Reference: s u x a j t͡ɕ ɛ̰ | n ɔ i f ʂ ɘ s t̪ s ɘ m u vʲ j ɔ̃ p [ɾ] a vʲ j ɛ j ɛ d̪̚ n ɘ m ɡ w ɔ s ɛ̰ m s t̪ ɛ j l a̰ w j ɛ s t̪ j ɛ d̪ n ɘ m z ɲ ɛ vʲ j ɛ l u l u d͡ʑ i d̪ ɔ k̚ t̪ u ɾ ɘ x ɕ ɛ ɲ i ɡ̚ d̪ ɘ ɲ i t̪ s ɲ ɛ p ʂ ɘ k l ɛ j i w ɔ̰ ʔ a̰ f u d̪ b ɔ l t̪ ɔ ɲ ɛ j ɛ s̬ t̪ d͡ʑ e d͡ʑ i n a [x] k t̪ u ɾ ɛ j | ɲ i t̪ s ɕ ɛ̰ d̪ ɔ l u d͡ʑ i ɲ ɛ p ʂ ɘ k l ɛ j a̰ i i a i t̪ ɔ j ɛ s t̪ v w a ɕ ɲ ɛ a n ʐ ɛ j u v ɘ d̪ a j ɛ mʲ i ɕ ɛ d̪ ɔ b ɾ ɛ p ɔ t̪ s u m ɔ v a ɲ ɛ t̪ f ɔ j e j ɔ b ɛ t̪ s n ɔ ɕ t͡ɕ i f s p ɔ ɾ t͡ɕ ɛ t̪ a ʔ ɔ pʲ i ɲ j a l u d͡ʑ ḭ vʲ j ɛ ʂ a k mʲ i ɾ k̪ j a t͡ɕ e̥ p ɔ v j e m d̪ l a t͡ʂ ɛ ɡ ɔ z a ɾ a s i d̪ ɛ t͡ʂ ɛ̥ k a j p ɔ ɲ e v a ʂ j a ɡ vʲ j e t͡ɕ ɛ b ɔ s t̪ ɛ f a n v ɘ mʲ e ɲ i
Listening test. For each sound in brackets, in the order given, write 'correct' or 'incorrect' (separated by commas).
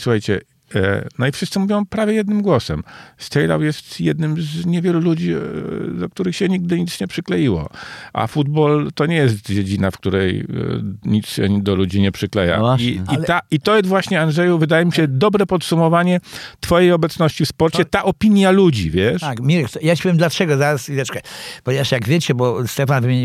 correct, incorrect